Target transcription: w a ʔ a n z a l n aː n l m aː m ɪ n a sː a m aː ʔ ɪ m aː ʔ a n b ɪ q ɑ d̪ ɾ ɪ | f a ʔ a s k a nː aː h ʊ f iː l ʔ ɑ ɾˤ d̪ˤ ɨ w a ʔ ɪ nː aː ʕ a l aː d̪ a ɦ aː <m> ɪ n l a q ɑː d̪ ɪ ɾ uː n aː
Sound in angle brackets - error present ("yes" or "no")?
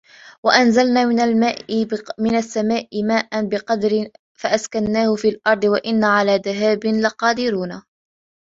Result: yes